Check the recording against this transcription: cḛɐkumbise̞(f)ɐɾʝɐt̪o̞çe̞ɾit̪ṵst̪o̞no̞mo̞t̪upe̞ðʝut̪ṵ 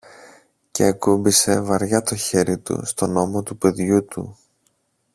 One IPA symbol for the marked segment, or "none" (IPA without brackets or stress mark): v